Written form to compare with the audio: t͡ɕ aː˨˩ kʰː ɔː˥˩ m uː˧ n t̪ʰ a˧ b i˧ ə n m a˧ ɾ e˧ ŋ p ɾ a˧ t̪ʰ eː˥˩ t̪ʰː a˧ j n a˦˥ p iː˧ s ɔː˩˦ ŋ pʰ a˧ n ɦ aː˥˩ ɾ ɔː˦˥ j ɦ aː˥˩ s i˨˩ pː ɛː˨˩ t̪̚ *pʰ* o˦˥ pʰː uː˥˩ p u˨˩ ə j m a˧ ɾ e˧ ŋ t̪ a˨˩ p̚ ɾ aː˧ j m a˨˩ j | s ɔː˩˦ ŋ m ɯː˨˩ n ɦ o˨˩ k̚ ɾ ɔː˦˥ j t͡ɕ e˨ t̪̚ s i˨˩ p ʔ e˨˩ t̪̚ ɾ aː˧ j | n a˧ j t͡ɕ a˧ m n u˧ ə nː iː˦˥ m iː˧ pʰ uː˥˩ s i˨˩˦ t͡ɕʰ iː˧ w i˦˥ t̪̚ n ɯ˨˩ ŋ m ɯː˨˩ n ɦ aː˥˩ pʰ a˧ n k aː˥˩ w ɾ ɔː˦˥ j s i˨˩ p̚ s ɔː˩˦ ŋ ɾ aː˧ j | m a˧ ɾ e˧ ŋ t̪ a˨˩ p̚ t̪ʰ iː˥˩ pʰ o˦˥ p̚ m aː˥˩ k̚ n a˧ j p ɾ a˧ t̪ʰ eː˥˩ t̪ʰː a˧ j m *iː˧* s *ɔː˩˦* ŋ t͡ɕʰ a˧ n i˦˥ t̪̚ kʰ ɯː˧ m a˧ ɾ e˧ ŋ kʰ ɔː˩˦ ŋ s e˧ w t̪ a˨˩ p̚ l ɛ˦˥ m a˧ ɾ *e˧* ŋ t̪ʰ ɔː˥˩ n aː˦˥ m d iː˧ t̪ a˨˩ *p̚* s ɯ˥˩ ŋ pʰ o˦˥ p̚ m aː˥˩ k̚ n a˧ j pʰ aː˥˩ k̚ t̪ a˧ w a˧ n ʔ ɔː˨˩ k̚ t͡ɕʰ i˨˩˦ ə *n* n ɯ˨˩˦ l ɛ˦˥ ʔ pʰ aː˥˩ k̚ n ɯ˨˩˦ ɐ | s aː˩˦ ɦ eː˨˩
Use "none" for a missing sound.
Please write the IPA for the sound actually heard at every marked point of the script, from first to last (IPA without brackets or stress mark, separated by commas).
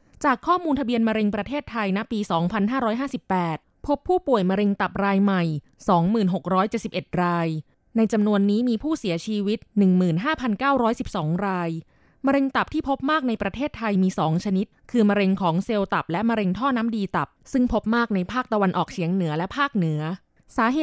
pʰ, iː˧, ɔː˩˦, e˧, p̚, ŋ